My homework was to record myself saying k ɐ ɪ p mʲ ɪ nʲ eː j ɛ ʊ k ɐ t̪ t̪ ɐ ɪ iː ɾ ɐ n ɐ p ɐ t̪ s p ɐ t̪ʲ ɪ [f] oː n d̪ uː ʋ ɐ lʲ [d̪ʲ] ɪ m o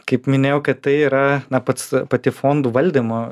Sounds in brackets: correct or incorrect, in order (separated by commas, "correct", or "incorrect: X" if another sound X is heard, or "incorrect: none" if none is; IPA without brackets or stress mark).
correct, correct